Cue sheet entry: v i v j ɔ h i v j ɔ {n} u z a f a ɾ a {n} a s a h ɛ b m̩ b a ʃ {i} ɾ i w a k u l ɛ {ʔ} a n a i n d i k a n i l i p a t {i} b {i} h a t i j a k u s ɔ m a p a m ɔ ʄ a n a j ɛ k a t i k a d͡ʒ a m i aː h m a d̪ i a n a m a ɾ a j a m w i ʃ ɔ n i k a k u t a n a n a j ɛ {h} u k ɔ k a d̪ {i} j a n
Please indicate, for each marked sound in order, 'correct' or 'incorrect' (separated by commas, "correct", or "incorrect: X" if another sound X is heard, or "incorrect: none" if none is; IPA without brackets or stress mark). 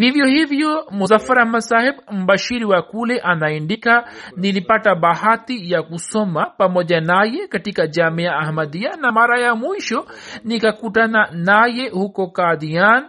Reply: incorrect: m, incorrect: m, correct, correct, incorrect: a, incorrect: a, correct, correct